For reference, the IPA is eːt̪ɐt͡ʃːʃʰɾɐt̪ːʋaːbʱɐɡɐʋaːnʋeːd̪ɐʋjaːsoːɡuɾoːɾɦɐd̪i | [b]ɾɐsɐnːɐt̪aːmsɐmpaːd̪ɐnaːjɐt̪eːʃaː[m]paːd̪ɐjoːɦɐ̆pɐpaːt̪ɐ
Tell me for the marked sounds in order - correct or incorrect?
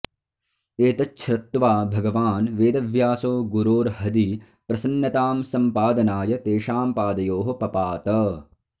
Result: incorrect: p, correct

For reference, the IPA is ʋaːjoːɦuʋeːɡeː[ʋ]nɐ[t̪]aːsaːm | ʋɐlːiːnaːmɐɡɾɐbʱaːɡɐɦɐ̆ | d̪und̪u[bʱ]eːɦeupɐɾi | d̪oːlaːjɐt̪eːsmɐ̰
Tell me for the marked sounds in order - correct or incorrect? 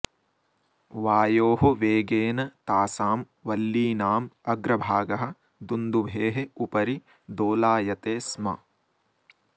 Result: incorrect: none, correct, correct

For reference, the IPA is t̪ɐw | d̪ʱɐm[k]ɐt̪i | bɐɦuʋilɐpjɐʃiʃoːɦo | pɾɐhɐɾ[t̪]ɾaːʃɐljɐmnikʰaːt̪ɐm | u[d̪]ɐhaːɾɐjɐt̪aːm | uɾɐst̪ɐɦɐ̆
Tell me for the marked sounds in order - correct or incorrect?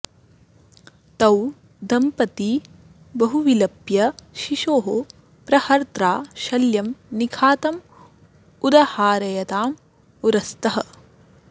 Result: incorrect: p, correct, correct

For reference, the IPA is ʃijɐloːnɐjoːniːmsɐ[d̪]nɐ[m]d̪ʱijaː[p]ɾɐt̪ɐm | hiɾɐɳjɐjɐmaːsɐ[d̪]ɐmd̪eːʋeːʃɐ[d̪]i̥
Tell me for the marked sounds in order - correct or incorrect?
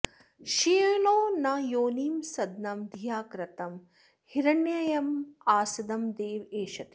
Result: correct, correct, incorrect: k, correct, incorrect: t̪

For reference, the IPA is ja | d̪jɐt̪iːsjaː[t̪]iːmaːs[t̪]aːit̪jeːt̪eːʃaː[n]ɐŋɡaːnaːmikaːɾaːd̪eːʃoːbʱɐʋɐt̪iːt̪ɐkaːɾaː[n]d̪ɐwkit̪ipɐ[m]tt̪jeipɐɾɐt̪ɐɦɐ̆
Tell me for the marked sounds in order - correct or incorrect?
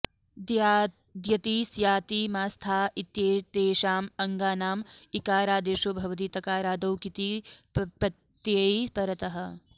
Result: correct, incorrect: t̪ʰ, incorrect: m, incorrect: none, incorrect: none

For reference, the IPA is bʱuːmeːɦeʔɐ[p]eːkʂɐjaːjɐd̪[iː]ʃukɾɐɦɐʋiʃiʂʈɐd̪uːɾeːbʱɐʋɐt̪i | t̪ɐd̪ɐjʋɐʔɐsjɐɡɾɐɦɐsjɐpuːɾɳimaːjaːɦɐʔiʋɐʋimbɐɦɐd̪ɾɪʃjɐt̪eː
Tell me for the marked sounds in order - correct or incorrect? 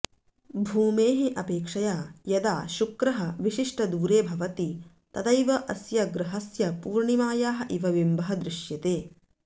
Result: correct, incorrect: aː

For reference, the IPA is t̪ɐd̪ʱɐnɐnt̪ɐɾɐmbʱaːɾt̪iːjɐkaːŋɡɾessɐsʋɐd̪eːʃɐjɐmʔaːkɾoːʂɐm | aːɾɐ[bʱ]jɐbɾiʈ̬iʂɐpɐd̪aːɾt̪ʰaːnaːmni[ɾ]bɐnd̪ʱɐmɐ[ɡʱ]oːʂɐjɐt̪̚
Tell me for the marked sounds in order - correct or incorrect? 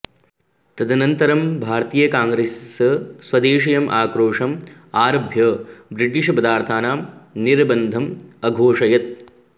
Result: correct, correct, correct

